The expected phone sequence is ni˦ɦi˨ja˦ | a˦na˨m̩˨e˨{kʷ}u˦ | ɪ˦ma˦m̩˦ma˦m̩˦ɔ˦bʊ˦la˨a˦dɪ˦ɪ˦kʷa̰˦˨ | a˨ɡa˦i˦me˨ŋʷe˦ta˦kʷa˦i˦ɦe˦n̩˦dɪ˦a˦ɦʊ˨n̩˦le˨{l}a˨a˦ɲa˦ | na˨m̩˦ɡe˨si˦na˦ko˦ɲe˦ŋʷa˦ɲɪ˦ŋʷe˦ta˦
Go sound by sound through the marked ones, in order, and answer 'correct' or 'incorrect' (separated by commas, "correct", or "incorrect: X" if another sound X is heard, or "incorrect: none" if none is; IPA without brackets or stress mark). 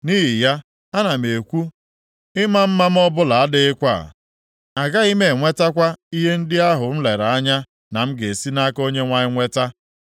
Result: correct, incorrect: ɾ